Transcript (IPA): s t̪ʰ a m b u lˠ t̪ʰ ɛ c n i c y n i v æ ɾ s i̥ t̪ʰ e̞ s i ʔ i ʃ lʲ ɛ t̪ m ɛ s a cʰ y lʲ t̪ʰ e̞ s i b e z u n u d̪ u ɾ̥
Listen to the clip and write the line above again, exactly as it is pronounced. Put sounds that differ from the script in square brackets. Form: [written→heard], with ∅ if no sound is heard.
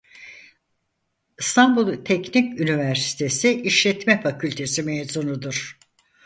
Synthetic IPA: s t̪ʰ a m b u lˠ t̪ʰ ɛ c n i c y n i v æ ɾ s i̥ t̪ʰ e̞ s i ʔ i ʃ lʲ ɛ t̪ m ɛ [s→f] a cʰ y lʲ t̪ʰ e̞ s i [b→m] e z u n u d̪ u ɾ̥